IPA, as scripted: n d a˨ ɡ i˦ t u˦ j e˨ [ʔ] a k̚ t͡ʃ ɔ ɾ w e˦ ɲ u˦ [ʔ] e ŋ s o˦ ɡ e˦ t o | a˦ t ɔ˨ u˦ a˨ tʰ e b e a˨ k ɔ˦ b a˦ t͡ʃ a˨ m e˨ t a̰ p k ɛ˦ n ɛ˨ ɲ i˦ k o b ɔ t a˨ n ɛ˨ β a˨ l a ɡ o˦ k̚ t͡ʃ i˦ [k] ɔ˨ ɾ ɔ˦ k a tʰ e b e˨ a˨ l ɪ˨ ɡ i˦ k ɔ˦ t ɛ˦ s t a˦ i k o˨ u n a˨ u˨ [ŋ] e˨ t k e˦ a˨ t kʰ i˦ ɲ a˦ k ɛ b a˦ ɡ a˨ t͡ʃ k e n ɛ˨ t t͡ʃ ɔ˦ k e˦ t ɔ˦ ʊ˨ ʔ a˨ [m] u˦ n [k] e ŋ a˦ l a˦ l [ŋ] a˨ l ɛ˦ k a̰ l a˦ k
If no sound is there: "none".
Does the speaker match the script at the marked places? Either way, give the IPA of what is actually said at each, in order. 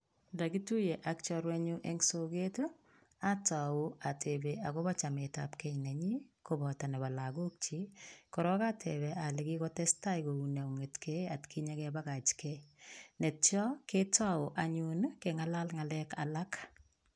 ʔ, ʔ, k, ŋ, ɲ, k, ŋ

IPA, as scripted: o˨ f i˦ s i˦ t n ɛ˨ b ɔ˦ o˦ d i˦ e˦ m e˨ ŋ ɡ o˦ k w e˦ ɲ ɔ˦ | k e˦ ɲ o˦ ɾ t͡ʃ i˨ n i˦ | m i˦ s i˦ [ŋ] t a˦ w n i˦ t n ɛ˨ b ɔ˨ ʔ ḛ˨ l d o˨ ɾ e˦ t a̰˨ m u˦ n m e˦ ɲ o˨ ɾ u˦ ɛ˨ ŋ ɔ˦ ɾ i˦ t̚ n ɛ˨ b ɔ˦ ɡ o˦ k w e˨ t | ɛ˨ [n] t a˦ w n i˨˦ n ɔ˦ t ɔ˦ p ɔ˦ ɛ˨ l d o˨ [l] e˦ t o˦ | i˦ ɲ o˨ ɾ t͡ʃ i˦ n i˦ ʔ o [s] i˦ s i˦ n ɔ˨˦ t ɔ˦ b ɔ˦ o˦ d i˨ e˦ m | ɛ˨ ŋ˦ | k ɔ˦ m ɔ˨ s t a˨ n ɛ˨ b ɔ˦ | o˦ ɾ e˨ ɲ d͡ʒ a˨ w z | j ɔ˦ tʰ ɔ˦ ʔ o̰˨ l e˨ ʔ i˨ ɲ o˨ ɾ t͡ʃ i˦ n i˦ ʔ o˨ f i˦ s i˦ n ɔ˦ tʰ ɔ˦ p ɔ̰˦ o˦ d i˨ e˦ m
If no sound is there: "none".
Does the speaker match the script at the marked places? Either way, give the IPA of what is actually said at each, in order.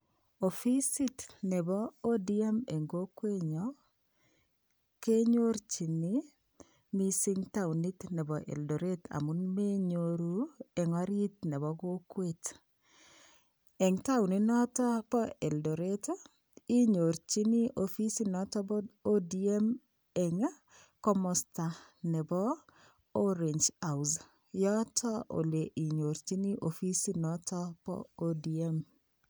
ŋ, ŋ, ɾ, f

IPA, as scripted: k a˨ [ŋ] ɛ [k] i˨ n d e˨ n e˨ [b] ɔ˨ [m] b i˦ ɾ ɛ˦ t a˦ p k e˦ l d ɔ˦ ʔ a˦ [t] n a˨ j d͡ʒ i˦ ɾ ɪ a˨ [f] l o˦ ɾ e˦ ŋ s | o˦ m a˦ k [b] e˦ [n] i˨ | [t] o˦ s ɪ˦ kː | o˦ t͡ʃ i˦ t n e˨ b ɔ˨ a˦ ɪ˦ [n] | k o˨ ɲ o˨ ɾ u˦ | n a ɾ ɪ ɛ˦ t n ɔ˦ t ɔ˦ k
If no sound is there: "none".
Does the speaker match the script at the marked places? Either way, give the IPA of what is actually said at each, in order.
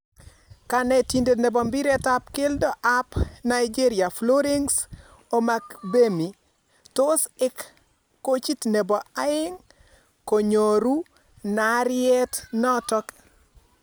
n, t, b, m, p, f, b, m, t, ŋ

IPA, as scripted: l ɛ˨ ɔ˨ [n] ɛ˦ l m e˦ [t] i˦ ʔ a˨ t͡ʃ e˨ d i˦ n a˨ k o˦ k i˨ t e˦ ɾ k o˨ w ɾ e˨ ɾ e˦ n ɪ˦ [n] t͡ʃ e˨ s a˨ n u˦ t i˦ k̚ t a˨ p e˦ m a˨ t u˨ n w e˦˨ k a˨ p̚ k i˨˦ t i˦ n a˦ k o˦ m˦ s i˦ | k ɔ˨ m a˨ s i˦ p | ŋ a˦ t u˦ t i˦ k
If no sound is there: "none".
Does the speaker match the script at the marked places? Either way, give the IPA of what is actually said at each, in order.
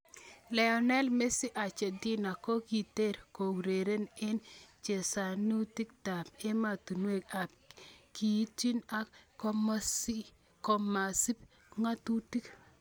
n, s, n

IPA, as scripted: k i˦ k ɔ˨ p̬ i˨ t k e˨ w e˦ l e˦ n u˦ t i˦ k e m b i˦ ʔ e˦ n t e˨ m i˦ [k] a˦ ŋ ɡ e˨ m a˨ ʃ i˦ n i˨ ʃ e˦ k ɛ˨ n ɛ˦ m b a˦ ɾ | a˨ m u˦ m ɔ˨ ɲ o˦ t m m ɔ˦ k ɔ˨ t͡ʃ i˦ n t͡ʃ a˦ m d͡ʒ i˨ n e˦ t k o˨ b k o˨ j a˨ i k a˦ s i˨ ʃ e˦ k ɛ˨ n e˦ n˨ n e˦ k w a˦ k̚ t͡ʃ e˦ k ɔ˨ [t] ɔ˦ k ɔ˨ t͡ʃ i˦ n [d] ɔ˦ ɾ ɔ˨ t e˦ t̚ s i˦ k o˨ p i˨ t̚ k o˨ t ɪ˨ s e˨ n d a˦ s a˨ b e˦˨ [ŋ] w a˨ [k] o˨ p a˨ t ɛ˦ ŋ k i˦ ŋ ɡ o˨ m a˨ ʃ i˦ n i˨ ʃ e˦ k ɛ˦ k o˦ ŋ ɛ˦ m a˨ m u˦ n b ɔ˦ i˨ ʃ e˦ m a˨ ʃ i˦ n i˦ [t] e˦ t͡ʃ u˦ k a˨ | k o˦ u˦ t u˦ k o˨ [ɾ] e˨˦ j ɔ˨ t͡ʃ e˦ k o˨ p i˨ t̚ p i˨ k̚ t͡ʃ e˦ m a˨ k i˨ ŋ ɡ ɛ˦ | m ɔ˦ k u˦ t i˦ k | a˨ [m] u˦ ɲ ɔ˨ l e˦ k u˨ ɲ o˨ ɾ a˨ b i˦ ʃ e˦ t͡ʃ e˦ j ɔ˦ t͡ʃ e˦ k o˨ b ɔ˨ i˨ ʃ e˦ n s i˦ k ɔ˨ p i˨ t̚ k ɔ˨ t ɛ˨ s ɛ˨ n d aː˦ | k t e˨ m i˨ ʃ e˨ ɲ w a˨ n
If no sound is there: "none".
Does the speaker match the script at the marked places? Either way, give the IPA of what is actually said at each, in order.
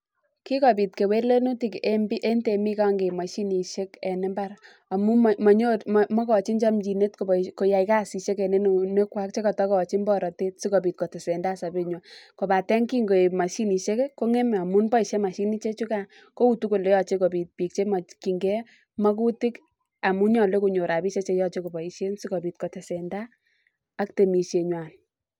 k, t, b, ɲ, k, t͡ʃ, l, m

